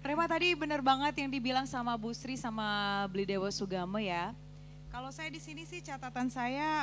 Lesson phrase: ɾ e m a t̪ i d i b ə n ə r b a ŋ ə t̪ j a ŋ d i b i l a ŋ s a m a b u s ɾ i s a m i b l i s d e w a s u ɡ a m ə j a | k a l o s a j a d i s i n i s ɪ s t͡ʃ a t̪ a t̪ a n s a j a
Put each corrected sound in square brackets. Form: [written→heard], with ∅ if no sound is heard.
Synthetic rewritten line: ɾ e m a t̪ [i→a] d i b ə n ə r b a ŋ ə t̪ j a ŋ d i b i l a ŋ s a m a b u s ɾ i s a m [i→a] b l i [s→∅] d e w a s u ɡ a m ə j a | k a l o s a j a d i s i n i s ɪ [s→h] t͡ʃ a t̪ a t̪ a n s a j a